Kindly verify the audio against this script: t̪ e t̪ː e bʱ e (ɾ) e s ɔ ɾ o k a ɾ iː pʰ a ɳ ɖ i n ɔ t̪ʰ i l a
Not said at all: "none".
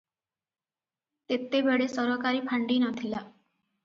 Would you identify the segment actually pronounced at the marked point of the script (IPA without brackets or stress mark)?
ɽ